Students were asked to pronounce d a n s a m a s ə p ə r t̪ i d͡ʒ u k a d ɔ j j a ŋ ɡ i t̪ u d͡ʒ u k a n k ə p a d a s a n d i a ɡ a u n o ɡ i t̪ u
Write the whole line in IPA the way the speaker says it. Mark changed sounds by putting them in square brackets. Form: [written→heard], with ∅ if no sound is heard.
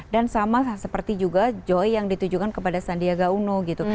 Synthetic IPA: d a n s a m a s ə p ə r t̪ i d͡ʒ u [k→ɡ] a [d→d͡ʒ] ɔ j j a ŋ [ɡ→d] i t̪ u d͡ʒ u k a n k ə p a d a s a n d i a ɡ a u n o ɡ i t̪ u